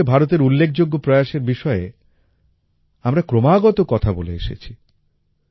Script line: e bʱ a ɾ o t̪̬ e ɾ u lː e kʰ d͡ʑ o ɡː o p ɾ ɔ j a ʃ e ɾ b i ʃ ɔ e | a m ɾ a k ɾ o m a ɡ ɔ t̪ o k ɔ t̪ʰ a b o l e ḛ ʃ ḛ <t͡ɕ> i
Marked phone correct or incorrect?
incorrect